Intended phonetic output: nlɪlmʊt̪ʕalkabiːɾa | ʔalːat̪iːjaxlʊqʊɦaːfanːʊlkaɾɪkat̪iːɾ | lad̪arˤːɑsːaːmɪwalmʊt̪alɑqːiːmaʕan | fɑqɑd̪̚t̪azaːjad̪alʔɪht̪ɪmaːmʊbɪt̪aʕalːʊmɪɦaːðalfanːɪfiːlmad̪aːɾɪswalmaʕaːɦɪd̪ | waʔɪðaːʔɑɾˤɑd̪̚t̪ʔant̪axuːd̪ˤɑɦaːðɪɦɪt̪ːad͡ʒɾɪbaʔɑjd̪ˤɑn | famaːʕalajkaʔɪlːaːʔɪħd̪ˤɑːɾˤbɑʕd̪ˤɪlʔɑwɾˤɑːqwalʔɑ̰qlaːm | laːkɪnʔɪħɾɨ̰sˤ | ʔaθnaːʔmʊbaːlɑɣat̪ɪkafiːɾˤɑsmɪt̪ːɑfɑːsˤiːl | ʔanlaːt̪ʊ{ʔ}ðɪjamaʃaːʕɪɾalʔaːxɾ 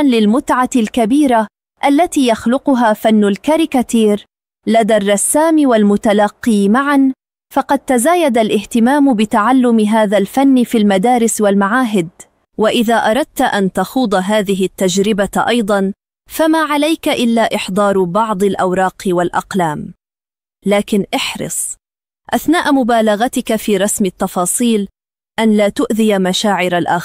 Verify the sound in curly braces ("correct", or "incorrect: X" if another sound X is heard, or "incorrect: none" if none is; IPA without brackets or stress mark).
correct